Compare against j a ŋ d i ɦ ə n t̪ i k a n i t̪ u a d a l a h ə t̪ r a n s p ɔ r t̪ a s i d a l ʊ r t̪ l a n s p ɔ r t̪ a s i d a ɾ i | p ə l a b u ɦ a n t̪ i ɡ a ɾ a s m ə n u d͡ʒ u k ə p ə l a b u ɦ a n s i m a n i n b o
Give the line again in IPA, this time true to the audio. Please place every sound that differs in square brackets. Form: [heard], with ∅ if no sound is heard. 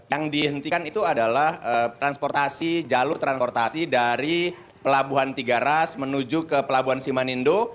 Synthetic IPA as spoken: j a ŋ d i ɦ ə n t̪ i k a n i t̪ u a d a l a h ə t̪ [ɾ] a n s p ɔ r t̪ a s i [d͡ʒ] a l ʊ r t̪ [ɾ] a n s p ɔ r t̪ a s i d a ɾ i | p ə l a b u ɦ a n t̪ i ɡ a ɾ a s m ə n u d͡ʒ u k ə p ə l a b u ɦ a n s i m a n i n [d] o

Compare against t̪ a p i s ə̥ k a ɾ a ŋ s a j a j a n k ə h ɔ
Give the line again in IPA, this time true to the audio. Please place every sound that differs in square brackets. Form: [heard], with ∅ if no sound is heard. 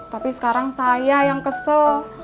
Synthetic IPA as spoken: t̪ a p i s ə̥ k a ɾ a ŋ s a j a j a [ŋ] k ə [s] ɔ

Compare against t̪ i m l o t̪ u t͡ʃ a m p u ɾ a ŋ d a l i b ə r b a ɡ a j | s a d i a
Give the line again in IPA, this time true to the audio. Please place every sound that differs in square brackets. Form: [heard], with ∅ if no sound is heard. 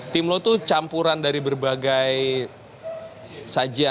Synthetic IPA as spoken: t̪ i m l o t̪ u t͡ʃ a m p u ɾ a [n] d a [ɾ] i b ə r b a ɡ a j | s a [d͡ʒ] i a

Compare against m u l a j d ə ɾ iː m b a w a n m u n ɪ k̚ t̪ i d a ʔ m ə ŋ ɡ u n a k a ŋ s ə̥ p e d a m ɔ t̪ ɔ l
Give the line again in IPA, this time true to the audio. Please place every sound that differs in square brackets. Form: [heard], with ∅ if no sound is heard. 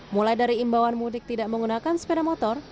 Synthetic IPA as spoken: m u l a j d [a] ɾ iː m b a w a n m u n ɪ k̚ t̪ i d a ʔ m ə ŋ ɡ u n a k a [n] s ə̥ p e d a m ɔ t̪ ɔ [r]

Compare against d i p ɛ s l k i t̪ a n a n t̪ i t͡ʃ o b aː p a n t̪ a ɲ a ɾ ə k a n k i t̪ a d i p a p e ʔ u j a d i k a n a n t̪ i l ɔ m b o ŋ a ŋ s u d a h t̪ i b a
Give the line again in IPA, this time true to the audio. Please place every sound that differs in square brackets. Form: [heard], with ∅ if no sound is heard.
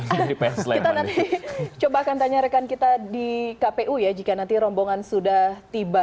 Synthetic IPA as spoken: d i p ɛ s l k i t̪ a n a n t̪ i t͡ʃ o b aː [k] a n t̪ a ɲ a ɾ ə k a n k i t̪ a d i [k] a p e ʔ u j a [d͡ʒ] i k a n a n t̪ i [ɾ] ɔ m b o ŋ a [n] s u d a h t̪ i b a

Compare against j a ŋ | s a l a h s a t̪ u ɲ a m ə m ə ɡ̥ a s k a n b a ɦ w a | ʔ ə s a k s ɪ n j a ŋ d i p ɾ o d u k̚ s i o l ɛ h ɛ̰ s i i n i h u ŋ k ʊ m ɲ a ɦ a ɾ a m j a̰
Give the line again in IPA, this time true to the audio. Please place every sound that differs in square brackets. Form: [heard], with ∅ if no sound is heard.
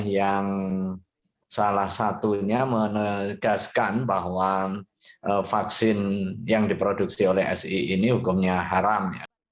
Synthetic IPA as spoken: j a ŋ | s a l a h s a t̪ u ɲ a m ə [n] ə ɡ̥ a s k a n b a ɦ w a | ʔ ə [f] a k s ɪ n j a ŋ d i p ɾ o d u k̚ s i o l ɛ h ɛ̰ s i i n i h u [∅] k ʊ m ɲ a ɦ a ɾ a m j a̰

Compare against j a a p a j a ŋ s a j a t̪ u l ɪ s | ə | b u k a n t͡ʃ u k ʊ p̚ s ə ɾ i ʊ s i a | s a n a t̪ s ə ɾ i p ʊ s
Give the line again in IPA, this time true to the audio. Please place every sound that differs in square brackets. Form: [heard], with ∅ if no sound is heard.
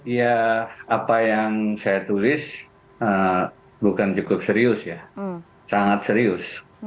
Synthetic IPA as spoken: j a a p a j a ŋ s a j a t̪ u l ɪ s | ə | b u k a n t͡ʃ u k ʊ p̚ s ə ɾ i ʊ s [j] a | s a [ŋ] a t̪ s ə ɾ i [∅] ʊ s

